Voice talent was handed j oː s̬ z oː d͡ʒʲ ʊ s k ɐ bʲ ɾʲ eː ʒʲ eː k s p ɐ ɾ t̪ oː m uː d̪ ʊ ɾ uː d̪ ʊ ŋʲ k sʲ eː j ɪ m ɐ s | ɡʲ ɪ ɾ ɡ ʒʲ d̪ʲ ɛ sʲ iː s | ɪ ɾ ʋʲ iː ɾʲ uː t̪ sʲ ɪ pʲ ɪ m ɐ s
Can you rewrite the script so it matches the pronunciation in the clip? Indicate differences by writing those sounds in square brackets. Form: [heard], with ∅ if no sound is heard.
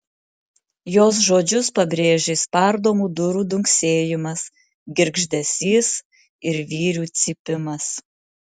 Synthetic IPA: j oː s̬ [ʒ] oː d͡ʒʲ ʊ s [p] ɐ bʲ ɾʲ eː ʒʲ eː [∅] s p ɐ ɾ [d̪] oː m uː d̪ ʊ ɾ uː d̪ ʊ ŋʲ k sʲ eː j ɪ m ɐ s | ɡʲ ɪ ɾ ɡ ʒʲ d̪ʲ ɛ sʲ iː s | ɪ ɾ ʋʲ iː ɾʲ uː t̪ sʲ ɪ pʲ ɪ m ɐ s